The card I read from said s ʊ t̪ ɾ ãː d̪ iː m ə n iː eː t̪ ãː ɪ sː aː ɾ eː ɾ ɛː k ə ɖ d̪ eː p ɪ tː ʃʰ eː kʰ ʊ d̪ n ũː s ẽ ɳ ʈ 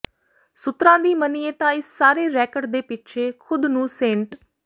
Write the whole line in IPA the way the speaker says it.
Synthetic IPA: s ʊ t̪ ɾ ãː d̪ iː m ə n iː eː t̪ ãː ɪ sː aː ɾ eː ɾ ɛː k ə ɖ d̪ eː p ɪ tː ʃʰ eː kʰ ʊ d̪ n ũː s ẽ ɳ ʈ